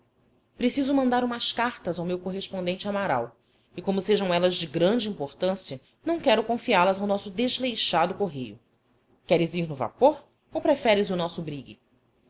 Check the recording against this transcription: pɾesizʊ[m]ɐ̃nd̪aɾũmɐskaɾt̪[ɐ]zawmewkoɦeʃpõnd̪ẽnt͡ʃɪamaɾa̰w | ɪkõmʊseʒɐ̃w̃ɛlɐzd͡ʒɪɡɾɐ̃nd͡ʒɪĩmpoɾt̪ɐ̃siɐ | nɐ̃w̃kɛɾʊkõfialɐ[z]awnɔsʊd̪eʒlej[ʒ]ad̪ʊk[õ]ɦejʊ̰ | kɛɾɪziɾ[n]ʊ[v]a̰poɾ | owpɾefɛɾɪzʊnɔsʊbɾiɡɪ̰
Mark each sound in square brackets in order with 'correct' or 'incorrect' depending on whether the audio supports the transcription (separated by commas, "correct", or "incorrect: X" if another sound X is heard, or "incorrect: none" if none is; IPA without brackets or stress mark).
correct, correct, correct, incorrect: ʃ, incorrect: o, correct, correct